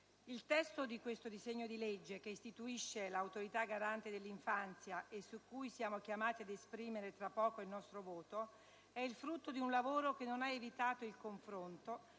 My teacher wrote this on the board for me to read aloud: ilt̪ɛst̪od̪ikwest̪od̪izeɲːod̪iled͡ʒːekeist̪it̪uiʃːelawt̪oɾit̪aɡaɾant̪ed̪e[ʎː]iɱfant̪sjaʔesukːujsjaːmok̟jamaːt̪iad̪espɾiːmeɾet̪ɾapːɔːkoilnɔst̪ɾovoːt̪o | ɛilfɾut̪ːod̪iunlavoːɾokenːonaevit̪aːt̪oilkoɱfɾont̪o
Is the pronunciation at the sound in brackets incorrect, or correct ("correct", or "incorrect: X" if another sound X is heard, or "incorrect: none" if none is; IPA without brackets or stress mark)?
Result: incorrect: lː